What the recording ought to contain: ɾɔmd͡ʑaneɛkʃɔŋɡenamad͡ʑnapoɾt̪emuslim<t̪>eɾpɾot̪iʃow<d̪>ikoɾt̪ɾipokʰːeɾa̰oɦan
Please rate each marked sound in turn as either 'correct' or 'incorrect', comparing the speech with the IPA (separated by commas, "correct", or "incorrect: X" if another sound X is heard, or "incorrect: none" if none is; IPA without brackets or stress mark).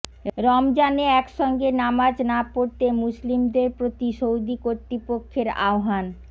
incorrect: d̪, correct